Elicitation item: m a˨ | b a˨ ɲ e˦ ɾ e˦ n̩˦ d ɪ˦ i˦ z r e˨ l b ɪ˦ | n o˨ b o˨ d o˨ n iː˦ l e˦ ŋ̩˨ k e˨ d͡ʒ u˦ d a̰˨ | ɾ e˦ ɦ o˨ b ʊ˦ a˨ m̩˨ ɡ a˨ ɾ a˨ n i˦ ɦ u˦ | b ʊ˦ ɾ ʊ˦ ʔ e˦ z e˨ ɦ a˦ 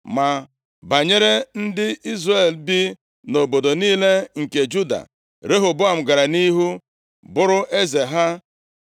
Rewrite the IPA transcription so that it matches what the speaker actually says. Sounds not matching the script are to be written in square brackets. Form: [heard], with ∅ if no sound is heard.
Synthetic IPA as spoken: m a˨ | b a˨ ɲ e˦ ɾ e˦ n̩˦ d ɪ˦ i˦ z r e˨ l b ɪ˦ | n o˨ b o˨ d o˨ n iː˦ l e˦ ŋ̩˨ k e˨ d͡ʒ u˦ d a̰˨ | ɾ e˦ ɦ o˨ b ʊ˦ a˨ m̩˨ ɡ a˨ ɾ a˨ n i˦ ɦ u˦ | b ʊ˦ ɾ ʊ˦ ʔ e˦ z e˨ ɦ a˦